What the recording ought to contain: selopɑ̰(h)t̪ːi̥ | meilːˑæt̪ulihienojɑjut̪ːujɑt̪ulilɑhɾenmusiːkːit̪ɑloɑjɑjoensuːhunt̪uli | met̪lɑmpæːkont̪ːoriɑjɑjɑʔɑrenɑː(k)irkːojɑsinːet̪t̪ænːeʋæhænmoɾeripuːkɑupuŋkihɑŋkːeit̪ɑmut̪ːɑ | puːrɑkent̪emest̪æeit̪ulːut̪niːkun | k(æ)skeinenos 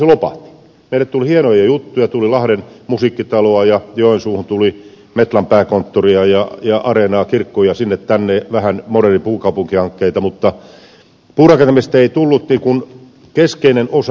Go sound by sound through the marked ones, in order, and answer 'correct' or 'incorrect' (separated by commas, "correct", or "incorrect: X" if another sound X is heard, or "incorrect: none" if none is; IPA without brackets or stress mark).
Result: correct, correct, incorrect: e